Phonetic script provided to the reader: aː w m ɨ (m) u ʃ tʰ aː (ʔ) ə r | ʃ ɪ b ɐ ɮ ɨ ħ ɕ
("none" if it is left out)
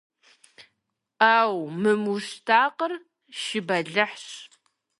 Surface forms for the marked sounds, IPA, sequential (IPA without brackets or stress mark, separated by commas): m, q